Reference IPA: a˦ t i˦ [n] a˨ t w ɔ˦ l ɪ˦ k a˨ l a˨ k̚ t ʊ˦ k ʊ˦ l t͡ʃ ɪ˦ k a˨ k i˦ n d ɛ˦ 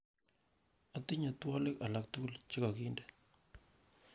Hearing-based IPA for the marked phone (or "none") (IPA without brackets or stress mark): ɲ